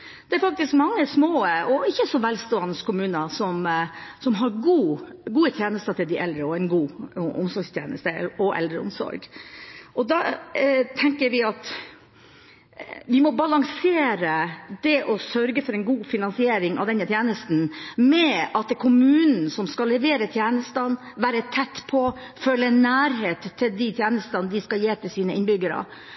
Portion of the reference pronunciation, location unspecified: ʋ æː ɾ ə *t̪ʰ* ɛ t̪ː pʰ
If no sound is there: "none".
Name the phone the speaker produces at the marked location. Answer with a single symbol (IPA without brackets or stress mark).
t̪ʰ